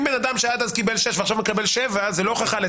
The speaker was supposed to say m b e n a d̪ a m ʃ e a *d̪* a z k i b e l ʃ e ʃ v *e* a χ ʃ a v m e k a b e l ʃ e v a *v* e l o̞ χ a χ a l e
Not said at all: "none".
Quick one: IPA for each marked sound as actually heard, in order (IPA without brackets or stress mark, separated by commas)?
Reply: d̪, e, z